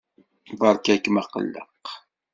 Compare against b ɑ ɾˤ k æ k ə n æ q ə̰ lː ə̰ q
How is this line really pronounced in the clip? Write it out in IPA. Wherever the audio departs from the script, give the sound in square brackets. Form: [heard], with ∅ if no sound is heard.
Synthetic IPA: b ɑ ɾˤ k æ k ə [m] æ q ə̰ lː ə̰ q